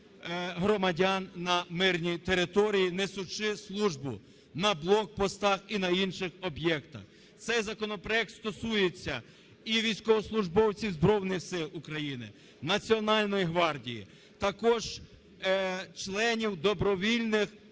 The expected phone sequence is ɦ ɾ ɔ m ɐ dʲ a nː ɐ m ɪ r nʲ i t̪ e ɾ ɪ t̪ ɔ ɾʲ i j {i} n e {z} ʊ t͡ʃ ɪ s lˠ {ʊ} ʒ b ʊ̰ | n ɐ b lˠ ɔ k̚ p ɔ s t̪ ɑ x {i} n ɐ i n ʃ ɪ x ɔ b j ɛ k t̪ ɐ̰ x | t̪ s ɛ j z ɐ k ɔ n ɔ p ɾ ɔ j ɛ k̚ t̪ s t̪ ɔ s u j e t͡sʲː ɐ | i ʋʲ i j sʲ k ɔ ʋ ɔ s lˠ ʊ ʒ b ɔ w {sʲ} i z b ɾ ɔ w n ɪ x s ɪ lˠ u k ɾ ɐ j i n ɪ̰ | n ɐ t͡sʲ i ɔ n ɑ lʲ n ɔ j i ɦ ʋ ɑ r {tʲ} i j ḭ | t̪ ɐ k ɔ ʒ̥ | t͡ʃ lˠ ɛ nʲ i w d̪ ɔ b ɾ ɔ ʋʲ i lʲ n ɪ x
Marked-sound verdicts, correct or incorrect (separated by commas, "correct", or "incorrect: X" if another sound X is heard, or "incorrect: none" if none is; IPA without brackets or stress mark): correct, incorrect: s, incorrect: u, correct, incorrect: t͡sʲ, incorrect: dʲ